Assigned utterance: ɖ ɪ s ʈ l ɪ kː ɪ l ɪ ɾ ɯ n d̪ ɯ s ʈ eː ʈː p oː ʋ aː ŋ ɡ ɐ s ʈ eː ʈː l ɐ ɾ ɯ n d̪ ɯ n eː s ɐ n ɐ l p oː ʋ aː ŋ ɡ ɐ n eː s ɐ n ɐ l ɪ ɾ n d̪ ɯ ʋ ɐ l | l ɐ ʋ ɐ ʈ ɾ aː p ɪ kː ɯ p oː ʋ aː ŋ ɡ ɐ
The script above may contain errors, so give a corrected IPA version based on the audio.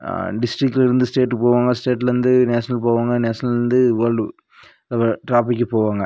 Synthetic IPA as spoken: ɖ ɪ s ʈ ɾ ɪ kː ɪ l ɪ ɾ ɯ n d̪ ɯ s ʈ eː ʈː p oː ʋ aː ŋ ɡ ɐ s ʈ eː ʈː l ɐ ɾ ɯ n d̪ ɯ n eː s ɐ n ɐ l p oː ʋ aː ŋ ɡ ɐ n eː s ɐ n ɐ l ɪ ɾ n d̪ ɯ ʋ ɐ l | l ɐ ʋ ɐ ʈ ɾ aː p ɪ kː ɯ p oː ʋ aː ŋ ɡ ɐ

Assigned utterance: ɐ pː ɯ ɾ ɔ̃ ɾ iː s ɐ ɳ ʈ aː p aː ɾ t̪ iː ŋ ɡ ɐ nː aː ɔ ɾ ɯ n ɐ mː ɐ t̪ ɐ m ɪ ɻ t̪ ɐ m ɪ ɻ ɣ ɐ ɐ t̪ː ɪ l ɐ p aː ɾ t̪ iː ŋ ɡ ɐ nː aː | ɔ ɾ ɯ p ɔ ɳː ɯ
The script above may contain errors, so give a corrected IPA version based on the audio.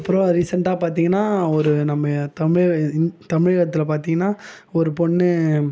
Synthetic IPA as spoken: ɐ pː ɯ ɾ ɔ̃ ɾ iː s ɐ ɳ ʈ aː p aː ɾ t̪ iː ŋ ɡ ɐ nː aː ɔ ɾ ɯ n ɐ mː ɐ t̪ ɐ m ɪ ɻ t̪ ɐ m ɪ ɻ ɣ ɐ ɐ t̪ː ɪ l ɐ p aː ɾ t̪ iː ŋ ɡ ɐ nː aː | ɔ ɾ ɯ p ɔ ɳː ɯ

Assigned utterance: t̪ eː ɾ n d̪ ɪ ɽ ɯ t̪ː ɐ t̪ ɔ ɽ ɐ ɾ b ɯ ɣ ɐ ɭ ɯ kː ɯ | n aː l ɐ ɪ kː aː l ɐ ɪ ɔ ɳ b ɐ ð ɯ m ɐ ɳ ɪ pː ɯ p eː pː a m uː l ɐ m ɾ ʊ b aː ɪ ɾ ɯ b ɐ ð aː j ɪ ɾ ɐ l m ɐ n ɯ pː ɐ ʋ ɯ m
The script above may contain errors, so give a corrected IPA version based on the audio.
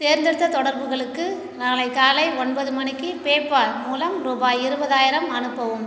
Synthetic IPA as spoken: t̪ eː ɾ n d̪ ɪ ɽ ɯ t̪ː ɐ t̪ ɔ ɽ ɐ ɾ b ɯ ɣ ɐ ɭ ɯ kː ɯ | n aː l ɐ ɪ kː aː l ɐ ɪ ɔ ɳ b ɐ ð ɯ m ɐ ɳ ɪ kː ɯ p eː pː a m uː l ɐ m ɾ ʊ b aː ɪ ɾ ɯ b ɐ ð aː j ɪ ɾ ɐ m ɐ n ɯ pː ɐ ʋ ɯ m

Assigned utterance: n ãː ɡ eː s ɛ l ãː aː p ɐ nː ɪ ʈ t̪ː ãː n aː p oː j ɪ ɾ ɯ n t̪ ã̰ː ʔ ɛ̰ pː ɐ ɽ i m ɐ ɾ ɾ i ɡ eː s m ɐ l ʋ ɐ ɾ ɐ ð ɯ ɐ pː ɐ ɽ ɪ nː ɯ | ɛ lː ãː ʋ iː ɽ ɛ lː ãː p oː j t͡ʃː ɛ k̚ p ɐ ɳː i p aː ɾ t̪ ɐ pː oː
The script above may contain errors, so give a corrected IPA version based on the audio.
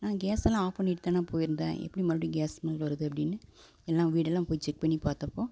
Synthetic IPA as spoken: n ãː ɡ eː s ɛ l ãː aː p ɐ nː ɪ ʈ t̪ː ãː n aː p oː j ɪ ɾ ɯ n d̪ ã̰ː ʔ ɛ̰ pː ɐ ɽ i m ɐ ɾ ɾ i ɡ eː s m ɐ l ʋ ɐ ɾ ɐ ð ɯ ɐ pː ɐ ɽ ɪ nː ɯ | ɛ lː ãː ʋ iː ɽ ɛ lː ãː p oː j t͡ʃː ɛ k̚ p ɐ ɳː i p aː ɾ t̪ ɐ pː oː

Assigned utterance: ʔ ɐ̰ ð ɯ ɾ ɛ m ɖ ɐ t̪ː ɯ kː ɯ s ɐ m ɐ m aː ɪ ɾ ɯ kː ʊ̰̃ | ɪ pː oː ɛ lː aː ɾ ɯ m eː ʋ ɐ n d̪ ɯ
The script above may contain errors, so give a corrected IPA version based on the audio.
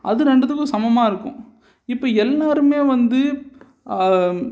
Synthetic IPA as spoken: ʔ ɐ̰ ð ɯ ɾ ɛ ɳ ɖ ɐ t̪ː ɯ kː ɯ s ɐ m ɐ m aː ɪ ɾ ɯ kː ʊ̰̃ | ɪ pː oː ɛ lː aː ɾ ɯ m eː ʋ ɐ n d̪ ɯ

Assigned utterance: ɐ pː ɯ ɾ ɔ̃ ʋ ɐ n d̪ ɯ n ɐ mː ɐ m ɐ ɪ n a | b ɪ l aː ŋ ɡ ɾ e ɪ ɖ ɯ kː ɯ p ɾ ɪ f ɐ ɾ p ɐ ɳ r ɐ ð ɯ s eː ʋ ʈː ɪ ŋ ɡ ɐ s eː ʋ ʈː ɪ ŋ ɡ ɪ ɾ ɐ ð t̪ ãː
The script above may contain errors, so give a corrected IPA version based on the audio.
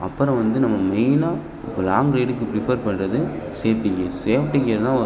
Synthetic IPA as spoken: ɐ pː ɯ ɾ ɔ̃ ʋ ɐ n d̪ ɯ n ɐ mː ɐ m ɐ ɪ n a | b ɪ l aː ŋ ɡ ɾ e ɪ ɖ ɯ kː ɯ p ɾ ɪ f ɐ ɾ p ɐ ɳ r ɐ ð ɯ s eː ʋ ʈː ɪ ŋ ɡ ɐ s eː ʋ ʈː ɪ ŋ ɡ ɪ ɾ ɐ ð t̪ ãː

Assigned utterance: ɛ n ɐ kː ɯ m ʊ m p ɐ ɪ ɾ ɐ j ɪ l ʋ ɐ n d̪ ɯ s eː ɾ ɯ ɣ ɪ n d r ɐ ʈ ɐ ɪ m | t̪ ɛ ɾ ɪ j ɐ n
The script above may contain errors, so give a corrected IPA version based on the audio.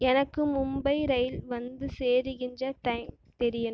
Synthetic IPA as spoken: ɛ n ɐ kː ɯ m ʊ m b ɐ ɪ ɾ ɐ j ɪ l ʋ ɐ n d̪ ɯ s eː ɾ ɯ ɣ ɪ n d r ɐ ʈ ɐ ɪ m | t̪ ɛ ɾ ɪ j ɐ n

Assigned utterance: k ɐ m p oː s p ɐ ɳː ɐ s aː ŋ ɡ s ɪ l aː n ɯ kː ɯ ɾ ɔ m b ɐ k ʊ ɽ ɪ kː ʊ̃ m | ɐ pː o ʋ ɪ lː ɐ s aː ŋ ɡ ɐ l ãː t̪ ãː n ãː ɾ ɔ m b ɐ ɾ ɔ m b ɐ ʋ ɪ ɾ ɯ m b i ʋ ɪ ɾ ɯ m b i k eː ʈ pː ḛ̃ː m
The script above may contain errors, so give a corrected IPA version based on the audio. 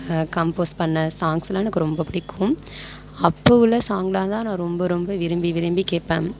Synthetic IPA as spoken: k ɐ m p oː s p ɐ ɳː ɐ s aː ŋ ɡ s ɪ l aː n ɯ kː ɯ ɾ ɔ m b ɐ p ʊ ɽ ɪ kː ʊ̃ m | ɐ pː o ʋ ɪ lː ɐ s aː ŋ ɡ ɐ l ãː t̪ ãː n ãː ɾ ɔ m b ɐ ɾ ɔ m b ɐ ʋ ɪ ɾ ɯ m b i ʋ ɪ ɾ ɯ m b i k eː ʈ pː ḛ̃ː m

